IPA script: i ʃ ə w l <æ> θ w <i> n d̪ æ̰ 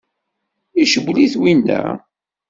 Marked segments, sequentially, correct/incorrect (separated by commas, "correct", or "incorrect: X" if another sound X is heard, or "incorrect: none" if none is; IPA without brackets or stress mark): incorrect: i, correct